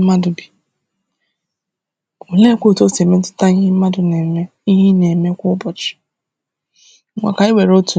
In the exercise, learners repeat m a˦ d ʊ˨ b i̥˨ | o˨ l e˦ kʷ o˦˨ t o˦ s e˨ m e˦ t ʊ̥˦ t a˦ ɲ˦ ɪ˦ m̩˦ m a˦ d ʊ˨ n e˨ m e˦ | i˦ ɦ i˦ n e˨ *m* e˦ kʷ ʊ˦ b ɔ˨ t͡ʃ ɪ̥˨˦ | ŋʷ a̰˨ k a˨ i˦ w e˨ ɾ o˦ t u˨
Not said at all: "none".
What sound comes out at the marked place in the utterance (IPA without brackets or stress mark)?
m